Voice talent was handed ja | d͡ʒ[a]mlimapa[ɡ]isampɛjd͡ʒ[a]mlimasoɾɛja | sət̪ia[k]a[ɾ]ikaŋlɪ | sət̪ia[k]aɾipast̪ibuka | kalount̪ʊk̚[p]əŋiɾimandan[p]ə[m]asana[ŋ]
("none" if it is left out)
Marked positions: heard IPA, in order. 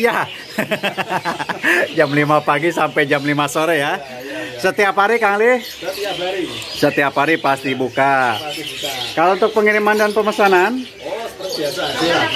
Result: a, ɡ, a, p, ɾ, p, p, p, m, n

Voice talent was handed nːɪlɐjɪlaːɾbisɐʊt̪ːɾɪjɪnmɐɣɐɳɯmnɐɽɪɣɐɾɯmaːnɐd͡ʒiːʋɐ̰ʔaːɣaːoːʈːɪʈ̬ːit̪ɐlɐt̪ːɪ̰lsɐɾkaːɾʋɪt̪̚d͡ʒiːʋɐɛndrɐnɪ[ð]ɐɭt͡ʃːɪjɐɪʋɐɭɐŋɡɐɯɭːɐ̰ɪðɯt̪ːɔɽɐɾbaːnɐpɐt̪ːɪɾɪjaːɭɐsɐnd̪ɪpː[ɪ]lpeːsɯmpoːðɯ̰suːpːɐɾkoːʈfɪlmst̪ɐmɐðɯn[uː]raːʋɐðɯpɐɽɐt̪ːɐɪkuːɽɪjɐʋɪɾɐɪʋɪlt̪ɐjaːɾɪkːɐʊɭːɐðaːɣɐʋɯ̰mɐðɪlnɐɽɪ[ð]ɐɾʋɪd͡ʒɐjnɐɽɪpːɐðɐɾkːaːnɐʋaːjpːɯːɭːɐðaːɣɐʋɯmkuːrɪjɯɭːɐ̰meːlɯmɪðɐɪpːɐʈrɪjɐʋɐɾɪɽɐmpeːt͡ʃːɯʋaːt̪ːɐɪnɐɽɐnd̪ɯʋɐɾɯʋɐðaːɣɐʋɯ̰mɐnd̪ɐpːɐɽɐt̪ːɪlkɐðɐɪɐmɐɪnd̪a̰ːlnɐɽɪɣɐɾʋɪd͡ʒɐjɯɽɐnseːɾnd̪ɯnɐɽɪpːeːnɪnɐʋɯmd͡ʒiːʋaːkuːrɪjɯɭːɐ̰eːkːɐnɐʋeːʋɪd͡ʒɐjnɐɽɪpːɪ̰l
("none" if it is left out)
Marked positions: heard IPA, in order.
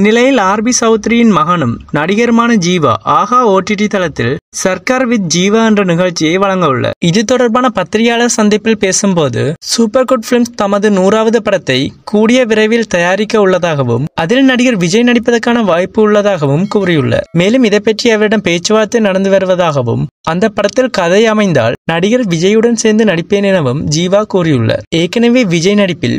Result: ɣ, ɪ, uː, ɣ

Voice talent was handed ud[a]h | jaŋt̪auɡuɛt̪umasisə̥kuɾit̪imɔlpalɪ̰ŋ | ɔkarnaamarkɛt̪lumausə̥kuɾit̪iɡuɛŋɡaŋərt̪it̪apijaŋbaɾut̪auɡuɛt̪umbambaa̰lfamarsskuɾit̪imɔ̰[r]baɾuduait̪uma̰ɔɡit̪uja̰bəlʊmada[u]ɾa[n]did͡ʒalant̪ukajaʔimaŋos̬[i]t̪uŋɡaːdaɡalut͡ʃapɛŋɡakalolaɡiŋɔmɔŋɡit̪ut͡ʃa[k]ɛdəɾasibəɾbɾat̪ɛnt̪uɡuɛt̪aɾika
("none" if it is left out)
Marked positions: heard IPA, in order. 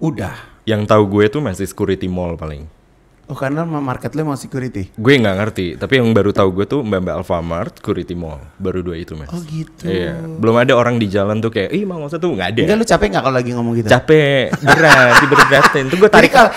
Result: a, l, o, ŋ, a, p

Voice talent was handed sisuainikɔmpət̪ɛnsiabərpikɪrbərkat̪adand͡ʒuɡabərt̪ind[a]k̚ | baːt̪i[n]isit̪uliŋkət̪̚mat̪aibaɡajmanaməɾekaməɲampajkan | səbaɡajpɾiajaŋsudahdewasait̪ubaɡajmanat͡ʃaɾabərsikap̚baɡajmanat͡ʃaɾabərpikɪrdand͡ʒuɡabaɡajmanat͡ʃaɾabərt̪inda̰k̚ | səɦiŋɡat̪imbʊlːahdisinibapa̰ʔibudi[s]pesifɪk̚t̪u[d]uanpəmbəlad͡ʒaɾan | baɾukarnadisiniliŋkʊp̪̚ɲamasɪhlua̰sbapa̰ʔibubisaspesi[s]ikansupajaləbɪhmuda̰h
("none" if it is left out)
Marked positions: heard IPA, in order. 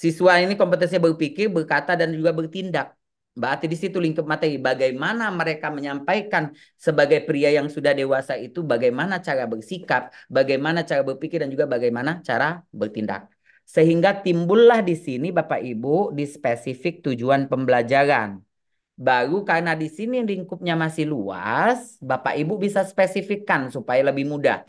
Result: a, d, s, d͡ʒ, f

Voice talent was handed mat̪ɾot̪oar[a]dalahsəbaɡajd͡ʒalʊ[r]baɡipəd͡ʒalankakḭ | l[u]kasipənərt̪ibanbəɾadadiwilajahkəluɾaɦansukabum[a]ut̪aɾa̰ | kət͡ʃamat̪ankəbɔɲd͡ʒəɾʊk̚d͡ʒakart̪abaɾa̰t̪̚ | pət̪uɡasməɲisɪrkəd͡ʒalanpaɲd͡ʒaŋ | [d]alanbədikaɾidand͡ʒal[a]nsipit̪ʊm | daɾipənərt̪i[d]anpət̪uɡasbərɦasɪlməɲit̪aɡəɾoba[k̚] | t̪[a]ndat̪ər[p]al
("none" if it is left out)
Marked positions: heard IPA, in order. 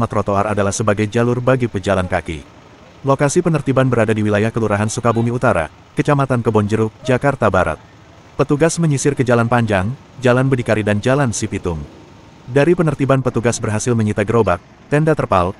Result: a, r, o, i, d͡ʒ, a, b, k̚, ɛ, p

